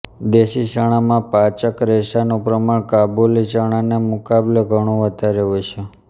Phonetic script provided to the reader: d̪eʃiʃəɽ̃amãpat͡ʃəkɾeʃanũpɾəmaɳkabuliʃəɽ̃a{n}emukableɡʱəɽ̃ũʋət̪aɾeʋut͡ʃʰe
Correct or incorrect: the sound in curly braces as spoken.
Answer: correct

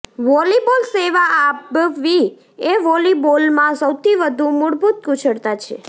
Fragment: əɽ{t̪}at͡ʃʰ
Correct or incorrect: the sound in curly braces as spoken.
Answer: correct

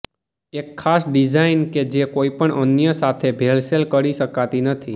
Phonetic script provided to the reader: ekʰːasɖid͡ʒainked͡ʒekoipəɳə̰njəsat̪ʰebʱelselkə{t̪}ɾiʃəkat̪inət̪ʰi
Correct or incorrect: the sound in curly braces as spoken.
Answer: incorrect: none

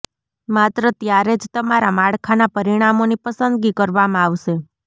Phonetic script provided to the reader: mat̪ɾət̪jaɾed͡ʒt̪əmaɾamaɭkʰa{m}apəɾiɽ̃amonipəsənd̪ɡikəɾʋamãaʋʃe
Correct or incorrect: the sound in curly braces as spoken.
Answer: incorrect: n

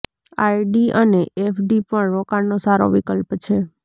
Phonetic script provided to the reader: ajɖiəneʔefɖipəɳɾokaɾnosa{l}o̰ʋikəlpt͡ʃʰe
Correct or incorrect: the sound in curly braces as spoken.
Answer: incorrect: ɾ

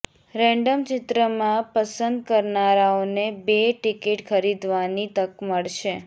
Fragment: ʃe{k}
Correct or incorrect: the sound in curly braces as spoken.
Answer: incorrect: none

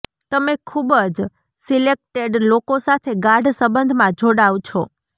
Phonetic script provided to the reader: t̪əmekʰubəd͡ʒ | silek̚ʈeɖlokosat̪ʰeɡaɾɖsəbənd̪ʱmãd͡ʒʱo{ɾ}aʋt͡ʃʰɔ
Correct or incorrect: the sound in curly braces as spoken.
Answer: incorrect: ɽ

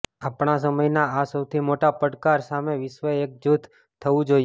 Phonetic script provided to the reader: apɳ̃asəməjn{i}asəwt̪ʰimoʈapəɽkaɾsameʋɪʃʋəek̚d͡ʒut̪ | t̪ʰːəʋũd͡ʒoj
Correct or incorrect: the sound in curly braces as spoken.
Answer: incorrect: a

